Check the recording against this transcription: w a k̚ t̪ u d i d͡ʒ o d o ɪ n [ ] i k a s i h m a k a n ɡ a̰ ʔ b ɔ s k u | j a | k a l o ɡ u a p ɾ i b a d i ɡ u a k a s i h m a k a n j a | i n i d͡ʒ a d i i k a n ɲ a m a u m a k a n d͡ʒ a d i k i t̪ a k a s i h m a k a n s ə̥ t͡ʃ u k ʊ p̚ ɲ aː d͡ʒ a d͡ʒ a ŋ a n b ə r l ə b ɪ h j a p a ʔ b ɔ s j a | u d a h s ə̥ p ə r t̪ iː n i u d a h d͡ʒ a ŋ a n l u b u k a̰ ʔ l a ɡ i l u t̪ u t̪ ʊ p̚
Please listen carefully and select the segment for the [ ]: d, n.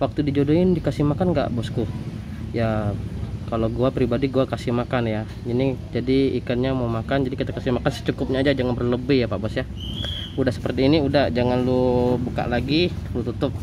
d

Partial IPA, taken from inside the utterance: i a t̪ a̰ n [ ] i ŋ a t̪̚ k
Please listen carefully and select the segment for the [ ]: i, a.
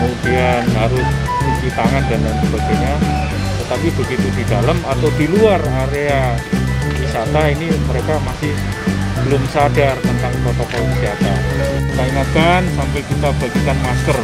a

